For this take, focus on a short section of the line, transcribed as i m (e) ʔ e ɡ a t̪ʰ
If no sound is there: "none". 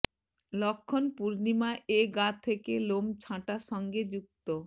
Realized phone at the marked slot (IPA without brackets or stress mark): a